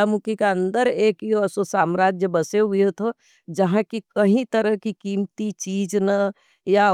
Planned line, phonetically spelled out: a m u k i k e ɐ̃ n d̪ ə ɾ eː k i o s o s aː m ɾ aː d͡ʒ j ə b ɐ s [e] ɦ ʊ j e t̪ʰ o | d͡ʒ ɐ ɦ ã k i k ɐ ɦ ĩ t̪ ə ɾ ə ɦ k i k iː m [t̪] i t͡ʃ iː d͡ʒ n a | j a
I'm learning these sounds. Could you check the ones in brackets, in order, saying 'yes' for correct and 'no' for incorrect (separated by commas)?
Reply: yes, yes